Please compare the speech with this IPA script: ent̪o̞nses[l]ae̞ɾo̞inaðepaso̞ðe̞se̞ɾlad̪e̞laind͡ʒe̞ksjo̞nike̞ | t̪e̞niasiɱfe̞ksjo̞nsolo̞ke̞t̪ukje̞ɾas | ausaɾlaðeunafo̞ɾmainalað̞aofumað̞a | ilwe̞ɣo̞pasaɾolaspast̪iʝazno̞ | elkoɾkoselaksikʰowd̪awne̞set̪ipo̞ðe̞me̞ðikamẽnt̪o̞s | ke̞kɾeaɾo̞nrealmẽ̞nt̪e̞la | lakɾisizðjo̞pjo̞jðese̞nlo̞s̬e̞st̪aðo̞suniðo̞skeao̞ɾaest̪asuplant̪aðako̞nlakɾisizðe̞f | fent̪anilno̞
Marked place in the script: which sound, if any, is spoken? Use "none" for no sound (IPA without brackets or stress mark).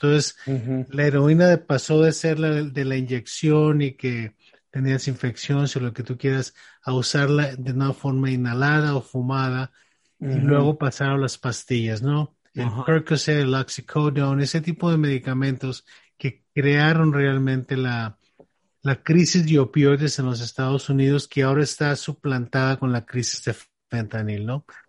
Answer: l